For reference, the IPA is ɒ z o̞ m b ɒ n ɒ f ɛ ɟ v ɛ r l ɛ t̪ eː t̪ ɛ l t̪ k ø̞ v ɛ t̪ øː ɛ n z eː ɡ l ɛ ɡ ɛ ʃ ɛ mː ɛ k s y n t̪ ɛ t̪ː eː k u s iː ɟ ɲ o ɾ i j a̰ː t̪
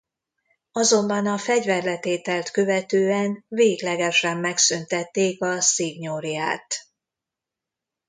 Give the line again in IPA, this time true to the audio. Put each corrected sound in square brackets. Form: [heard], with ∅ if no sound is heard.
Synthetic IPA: ɒ z o̞ m b ɒ n ɒ f ɛ ɟ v ɛ r l ɛ t̪ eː t̪ ɛ l t̪ k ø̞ v ɛ t̪ øː ɛ n [v] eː ɡ l ɛ ɡ ɛ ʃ ɛ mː ɛ k s y n t̪ ɛ t̪ː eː k [ɒ] s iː [ɡ] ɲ o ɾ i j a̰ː t̪

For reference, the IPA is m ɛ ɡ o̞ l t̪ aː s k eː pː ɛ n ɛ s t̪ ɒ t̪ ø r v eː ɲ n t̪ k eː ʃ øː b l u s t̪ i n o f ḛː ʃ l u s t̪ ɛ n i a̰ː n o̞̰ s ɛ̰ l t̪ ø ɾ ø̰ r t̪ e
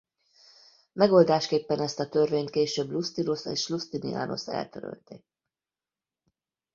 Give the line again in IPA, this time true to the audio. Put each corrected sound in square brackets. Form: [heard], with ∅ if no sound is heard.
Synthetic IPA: m ɛ ɡ o̞ l [d̪] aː [ʃ] k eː pː ɛ n ɛ s t̪ ɒ t̪ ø r v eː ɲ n t̪ k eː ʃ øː b l u s t̪ i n o [s] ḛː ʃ l u s t̪ [i] n i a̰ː n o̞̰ s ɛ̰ l t̪ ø ɾ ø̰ [l] t̪ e

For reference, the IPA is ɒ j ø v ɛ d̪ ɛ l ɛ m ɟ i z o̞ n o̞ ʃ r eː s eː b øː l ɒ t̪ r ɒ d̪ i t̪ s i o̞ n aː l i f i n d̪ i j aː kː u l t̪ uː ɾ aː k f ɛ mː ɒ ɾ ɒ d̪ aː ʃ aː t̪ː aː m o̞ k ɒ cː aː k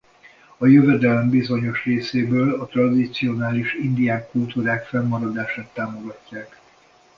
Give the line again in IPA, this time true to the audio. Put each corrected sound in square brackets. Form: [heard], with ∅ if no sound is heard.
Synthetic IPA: ɒ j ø v ɛ d̪ ɛ l ɛ m [b] i z o̞ [ɲ] o̞ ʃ r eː s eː b øː l ɒ t̪ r ɒ d̪ i t̪ s i o̞ n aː l i [ʃ] i n d̪ i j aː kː u l t̪ uː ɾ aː k f ɛ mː ɒ ɾ ɒ d̪ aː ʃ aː t̪ː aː m o̞ [ɡ] ɒ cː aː k

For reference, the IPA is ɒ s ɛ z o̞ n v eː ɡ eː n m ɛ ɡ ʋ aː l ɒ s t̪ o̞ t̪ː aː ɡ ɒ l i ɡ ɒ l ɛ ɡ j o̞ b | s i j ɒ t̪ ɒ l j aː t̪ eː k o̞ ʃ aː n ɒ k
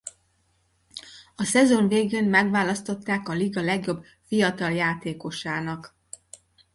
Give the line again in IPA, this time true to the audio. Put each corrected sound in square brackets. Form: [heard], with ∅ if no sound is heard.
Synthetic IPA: ɒ s ɛ z o̞ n v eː ɡ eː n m ɛ ɡ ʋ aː l ɒ s t̪ o̞ t̪ː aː [k] ɒ l i ɡ ɒ l ɛ ɡ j o̞ b | [f] i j ɒ t̪ ɒ l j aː t̪ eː k o̞ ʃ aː n ɒ k

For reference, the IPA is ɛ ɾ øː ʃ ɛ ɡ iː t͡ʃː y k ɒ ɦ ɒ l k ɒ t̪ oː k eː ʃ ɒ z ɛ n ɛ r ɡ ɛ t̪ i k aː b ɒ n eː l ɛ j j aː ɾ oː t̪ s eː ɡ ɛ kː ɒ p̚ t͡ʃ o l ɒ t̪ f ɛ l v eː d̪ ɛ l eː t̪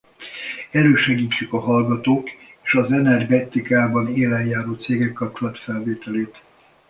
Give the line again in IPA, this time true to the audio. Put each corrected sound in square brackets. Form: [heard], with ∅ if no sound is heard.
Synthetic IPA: ɛ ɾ øː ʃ ɛ ɡ iː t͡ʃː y k ɒ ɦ ɒ l [ɡ] ɒ t̪ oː k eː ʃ ɒ z ɛ n ɛ r ɡ ɛ t̪ i k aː b ɒ n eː l ɛ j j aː ɾ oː t̪ s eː ɡ ɛ kː ɒ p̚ t͡ʃ o l ɒ t̪ f ɛ l v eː [t̪] ɛ l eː t̪

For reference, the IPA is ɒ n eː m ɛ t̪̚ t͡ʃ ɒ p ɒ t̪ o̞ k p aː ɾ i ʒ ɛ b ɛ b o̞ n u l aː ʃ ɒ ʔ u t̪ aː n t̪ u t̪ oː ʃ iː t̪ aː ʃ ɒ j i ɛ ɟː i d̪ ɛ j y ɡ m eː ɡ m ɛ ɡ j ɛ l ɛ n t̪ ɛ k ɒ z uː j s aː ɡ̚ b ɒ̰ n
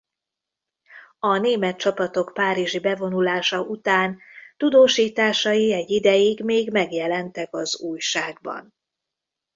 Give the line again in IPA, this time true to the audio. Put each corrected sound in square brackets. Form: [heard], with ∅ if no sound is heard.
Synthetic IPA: ɒ n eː m ɛ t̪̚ t͡ʃ ɒ p ɒ t̪ o̞ k p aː ɾ i ʒ [i] b ɛ [v] o̞ n u l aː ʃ ɒ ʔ u t̪ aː n t̪ u [d̪] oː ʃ iː t̪ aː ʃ ɒ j i ɛ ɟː i d̪ ɛ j [i] ɡ m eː ɡ m ɛ ɡ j ɛ l ɛ n t̪ ɛ k ɒ z uː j [ʃ] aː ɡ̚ b ɒ̰ n

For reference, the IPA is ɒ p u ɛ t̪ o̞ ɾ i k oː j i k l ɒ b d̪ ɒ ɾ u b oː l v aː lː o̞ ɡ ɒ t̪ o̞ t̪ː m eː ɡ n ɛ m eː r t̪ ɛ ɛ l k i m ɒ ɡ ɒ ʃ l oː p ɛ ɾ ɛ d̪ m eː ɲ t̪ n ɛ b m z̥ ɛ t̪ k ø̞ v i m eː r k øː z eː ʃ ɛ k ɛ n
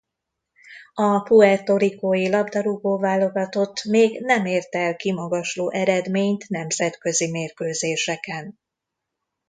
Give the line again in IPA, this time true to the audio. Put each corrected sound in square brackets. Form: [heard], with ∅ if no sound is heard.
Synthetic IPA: ɒ p u ɛ t̪ o̞ ɾ i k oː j i [∅] l ɒ b d̪ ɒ ɾ u b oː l v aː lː o̞ ɡ ɒ t̪ o̞ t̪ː m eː ɡ n ɛ m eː r t̪ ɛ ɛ l k i m ɒ ɡ ɒ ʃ l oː [ʔ] ɛ ɾ ɛ d̪ m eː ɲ t̪ n ɛ [∅] m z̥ ɛ t̪ k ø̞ [z] i m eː r k øː z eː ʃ ɛ k ɛ n

